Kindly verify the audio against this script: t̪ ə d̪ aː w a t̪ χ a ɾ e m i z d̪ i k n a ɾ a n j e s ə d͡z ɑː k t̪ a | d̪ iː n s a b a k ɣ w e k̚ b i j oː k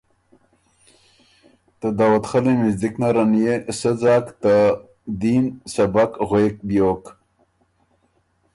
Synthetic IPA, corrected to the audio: t̪ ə d̪ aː w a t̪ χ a l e m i z d̪ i k n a ɾ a n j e s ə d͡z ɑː k t̪ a | d̪ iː n s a b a k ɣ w e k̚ b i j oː k